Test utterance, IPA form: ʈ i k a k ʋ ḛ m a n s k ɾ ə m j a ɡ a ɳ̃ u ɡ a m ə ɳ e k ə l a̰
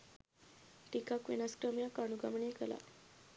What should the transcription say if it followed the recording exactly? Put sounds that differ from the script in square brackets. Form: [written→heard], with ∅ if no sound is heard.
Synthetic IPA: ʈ i k a k ʋ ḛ [m→n] a [n→∅] s k ɾ ə m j a [ɡ→k] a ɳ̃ u ɡ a m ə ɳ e k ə l a̰